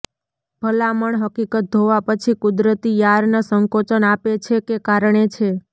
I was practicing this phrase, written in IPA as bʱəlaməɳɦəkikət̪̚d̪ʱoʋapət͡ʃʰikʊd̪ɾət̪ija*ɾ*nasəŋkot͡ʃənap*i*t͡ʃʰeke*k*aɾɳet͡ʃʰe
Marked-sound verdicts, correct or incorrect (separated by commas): correct, incorrect, correct